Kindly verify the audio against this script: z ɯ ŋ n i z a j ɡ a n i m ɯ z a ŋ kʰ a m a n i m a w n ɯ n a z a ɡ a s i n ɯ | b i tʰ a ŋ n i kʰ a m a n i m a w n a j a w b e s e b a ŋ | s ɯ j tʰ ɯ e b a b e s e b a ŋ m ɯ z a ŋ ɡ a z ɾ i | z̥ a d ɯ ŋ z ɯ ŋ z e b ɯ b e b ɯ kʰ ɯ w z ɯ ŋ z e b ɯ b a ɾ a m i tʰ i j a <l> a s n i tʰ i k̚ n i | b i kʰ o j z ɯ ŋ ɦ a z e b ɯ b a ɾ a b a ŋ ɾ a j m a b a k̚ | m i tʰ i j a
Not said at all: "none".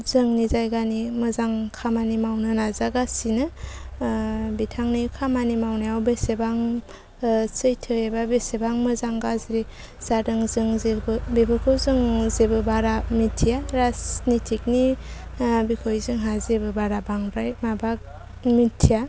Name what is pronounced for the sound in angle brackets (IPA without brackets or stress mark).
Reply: ɾ